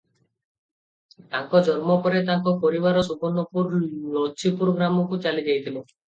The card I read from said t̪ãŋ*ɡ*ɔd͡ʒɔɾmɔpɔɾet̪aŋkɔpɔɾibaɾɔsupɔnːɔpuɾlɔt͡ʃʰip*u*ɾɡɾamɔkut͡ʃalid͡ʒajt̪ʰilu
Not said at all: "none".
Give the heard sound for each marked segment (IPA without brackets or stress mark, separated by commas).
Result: k, u